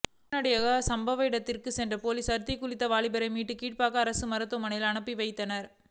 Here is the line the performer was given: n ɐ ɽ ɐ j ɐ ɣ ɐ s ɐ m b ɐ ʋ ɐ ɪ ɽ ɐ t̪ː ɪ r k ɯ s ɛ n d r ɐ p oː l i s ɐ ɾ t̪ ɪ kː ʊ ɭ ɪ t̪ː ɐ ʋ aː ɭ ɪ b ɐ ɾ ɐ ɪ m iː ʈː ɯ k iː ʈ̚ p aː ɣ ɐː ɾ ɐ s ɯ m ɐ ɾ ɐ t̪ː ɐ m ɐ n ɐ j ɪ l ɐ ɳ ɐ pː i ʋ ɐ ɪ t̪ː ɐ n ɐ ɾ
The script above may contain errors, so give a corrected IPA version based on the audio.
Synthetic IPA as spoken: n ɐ ɽ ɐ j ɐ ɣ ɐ s ɐ m b ɐ ʋ ɐ ɪ ɽ ɐ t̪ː ɪ r k ɯ s ɛ n d r ɐ p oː l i s ɐ ɾ t̪ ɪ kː ʊ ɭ ɪ t̪ː ɐ ʋ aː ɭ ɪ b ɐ ɾ ɐ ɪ m iː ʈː ɯ k iː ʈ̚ p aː ɣ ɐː ɾ ɐ s ɯ m ɐ ɾ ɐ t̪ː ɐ m ɐ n ɐ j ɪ l ɐ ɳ ɐ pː i ʋ ɐ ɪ t̪ː ɐ n ɐ ɾ